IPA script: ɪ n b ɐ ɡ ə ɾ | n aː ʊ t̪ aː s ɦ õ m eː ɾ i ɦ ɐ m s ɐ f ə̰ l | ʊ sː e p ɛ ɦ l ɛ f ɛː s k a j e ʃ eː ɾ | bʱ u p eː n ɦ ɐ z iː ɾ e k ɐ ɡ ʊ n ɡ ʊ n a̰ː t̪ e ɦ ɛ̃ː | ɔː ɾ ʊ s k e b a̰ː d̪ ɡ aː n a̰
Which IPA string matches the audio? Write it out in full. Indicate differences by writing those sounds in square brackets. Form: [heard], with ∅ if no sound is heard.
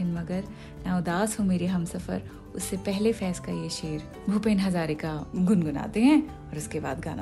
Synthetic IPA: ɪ n [m] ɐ ɡ ə ɾ | n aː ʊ [d̪] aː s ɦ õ m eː ɾ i ɦ ɐ m s ɐ f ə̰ [ɾ] | ʊ sː e p ɛ ɦ l [e] f ɛː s k a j e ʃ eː ɾ | bʱ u p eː n ɦ ɐ z [aː] ɾ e k [a] ɡ ʊ n ɡ ʊ n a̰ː t̪ e ɦ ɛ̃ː | ɔː ɾ ʊ s k e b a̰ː d̪ ɡ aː n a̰